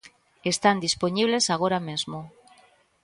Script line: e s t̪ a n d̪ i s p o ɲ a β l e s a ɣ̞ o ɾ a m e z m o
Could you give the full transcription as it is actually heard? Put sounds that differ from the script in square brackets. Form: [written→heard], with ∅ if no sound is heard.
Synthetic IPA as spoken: e s t̪ a n d̪ i s p o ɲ [a→i] β l e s a ɣ̞ o ɾ a m e z m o

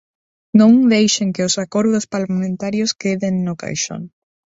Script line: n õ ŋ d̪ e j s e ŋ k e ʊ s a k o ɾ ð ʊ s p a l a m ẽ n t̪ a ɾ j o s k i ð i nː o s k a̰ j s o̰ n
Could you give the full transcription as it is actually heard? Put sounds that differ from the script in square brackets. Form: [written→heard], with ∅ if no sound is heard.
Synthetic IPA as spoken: n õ ŋ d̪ e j [s→ʃ] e ŋ k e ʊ s a k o ɾ ð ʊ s p a l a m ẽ n t̪ a ɾ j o s k [i→e] ð [i→e] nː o [s→∅] k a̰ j [s→ʃ] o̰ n

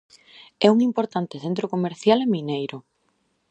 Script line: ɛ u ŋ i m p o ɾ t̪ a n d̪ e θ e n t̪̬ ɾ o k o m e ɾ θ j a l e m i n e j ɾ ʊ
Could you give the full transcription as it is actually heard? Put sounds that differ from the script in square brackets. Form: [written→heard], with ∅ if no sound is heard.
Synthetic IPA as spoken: ɛ u ŋ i m p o ɾ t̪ a n [d̪→t̪] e θ e n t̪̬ ɾ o k o m e ɾ θ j a l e m i n e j ɾ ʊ

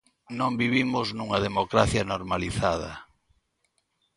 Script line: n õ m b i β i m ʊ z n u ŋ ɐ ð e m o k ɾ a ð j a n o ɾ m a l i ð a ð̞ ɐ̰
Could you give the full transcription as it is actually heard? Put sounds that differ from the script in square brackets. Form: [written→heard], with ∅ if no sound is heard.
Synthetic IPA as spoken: n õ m b i β i m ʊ z n u ŋ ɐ ð e m o k ɾ a [ð→θ] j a n o ɾ m a l i [ð→θ] a ð̞ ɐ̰

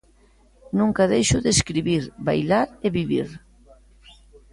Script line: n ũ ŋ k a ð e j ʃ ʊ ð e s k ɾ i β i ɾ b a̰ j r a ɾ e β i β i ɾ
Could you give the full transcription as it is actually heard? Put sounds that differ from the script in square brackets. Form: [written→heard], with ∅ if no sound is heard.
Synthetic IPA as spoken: n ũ ŋ k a ð e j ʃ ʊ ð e s k ɾ i β i ɾ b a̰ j [r→l] a ɾ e β i β i ɾ

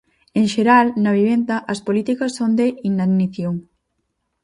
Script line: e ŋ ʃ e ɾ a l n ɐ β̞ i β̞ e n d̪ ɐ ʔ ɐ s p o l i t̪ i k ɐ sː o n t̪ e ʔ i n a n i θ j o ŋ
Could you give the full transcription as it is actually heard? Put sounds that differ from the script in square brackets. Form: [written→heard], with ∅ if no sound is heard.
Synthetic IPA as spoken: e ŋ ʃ e ɾ a l n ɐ β̞ i β̞ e n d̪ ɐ ʔ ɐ s p o l i t̪ i k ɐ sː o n [t̪→d̪] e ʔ i n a n i θ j o ŋ

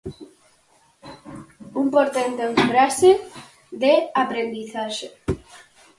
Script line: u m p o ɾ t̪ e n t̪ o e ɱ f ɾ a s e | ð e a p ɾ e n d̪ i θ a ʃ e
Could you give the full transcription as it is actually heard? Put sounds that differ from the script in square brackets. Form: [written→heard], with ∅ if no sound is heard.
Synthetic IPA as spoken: u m p o ɾ t̪ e n t̪ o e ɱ f ɾ a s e | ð e a p ɾ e n d̪ i θ a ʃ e

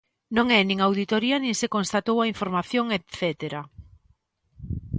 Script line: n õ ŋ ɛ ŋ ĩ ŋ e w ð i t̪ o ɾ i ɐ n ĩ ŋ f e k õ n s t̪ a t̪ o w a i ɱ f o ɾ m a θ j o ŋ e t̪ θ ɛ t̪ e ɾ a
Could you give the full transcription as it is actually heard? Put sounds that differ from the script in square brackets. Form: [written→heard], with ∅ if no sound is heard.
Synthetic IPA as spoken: n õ ŋ ɛ [ŋ→n] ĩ ŋ [e→a] w ð i t̪ o ɾ i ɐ n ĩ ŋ [f→s] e k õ n s t̪ a t̪ o w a i ɱ f o ɾ m a θ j o ŋ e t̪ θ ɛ t̪ e ɾ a

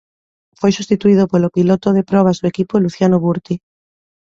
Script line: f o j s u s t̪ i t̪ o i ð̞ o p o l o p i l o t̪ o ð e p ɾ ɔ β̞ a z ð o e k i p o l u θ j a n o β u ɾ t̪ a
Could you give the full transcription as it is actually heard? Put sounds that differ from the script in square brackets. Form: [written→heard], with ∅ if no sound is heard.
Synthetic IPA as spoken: f o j s u s t̪ i t̪ [o→u] i ð̞ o p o l o p i l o t̪ o ð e p ɾ ɔ β̞ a z ð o e k i p o l u θ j a n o β u ɾ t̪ [a→i]

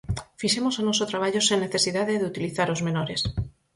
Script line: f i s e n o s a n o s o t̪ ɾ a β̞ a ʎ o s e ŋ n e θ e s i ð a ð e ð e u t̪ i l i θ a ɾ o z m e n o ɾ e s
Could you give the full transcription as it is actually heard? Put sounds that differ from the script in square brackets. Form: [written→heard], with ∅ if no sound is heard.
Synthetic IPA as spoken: f i [s→ʃ] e [n→m] o s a n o s o t̪ ɾ a β̞ a ʎ o s e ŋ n e θ e s i ð a ð e ð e u t̪ i l i θ a ɾ o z m e n o ɾ e s

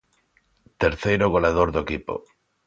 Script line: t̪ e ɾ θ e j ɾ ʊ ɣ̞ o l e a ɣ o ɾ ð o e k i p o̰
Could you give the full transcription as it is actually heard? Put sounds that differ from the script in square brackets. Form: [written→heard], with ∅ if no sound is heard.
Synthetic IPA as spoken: t̪ e ɾ θ e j ɾ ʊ ɣ̞ o l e a [ɣ→ð] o ɾ ð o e k i p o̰

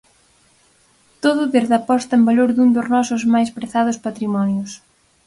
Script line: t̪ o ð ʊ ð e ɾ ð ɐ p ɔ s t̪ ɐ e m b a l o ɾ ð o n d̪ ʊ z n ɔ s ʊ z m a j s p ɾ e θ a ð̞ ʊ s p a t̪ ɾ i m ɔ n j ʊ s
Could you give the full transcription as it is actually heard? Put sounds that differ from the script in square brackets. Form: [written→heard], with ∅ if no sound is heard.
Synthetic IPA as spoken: t̪ o ð ʊ ð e ɾ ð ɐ p ɔ s t̪ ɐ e m b a l o ɾ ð [o→u] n d̪ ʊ z n ɔ s ʊ z m a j s p ɾ e θ a ð̞ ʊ s p a t̪ ɾ i m ɔ n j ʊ s

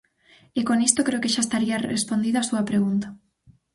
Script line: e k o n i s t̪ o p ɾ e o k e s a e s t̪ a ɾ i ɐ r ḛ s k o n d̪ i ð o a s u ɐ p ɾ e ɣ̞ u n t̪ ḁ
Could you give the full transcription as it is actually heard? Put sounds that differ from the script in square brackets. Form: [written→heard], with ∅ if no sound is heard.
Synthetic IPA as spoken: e k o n i s t̪ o [p→k] ɾ e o k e [s→ʃ] a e s t̪ a ɾ i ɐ r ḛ s [k→p] o n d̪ i ð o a s u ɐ p ɾ e ɣ̞ u n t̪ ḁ

